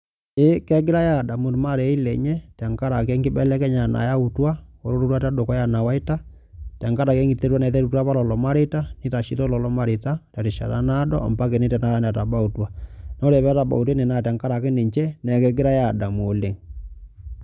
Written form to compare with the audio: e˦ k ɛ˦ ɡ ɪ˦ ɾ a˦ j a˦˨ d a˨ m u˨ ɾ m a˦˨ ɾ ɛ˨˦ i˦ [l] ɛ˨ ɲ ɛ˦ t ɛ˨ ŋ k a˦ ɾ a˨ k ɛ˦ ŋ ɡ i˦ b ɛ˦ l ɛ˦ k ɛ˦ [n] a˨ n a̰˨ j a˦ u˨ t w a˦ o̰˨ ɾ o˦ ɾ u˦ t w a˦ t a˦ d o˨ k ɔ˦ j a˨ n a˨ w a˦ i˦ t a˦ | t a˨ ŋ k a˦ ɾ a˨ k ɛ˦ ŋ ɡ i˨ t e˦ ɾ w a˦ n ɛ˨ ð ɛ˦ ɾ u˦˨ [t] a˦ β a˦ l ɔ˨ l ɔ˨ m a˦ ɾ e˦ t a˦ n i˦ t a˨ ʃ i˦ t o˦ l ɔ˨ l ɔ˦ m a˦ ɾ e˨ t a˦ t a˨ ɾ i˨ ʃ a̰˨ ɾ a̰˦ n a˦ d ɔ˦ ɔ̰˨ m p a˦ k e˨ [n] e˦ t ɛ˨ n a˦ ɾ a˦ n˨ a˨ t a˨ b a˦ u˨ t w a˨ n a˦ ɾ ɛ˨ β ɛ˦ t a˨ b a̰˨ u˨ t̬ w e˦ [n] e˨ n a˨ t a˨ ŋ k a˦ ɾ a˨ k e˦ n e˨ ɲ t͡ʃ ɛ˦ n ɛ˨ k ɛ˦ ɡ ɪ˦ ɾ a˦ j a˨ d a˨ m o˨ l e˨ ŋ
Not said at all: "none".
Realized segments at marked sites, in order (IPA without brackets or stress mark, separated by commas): l, ɲ, t, n, n